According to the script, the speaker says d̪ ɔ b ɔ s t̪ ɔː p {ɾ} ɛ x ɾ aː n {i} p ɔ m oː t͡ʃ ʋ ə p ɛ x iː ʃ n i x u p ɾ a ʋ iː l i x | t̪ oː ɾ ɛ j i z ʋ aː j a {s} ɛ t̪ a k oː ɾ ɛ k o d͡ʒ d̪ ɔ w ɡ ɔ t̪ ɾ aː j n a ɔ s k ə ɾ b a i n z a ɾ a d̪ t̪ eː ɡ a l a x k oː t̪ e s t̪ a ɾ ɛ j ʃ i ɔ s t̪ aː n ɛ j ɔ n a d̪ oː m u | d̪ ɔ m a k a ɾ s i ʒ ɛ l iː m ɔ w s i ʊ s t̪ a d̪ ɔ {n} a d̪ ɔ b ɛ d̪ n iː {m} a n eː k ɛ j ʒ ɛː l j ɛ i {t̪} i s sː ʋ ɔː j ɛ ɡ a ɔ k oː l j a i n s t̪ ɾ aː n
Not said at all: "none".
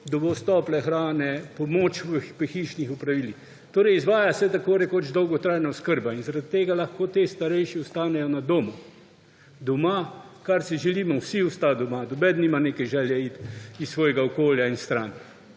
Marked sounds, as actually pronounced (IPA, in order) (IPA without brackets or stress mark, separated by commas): l, ɛ, s, m, m, t̪